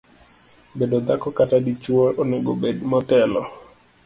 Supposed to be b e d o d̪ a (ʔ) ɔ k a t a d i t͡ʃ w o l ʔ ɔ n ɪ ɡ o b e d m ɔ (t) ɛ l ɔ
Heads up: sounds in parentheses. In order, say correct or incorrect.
incorrect: k, correct

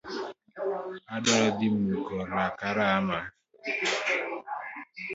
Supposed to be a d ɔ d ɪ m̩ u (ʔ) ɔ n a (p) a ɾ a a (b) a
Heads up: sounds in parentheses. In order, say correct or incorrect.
incorrect: k, incorrect: k, incorrect: m

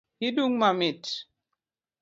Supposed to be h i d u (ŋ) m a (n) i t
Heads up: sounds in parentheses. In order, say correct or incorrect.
correct, incorrect: m

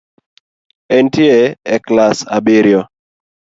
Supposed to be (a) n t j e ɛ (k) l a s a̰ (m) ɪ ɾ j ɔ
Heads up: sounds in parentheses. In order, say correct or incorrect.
incorrect: ɛ, correct, incorrect: b

